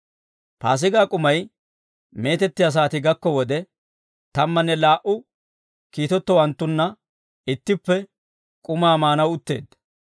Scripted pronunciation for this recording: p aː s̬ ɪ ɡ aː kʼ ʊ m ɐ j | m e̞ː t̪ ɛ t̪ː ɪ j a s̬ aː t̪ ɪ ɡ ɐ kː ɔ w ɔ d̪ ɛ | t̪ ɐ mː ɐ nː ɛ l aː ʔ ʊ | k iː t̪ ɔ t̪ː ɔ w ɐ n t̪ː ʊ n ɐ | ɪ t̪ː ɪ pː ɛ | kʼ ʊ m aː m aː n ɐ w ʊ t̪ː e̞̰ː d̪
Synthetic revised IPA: p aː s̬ ɪ ɡ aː kʼ ʊ m ɐ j | m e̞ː t̪ ɛ t̪ː ɪ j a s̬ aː t̪ ɪ ɡ ɐ kː ɔ w ɔ d̪ ɛ | t̪ ɐ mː ɐ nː ɛ l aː ʔ ʊ | k iː t̪ ɔ t̪ː ɔ w ɐ n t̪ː ʊ nː ɐ | ɪ t̪ː ɪ pː ɛ | kʼ ʊ m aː m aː n ɐ w ʊ t̪ː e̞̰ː d̪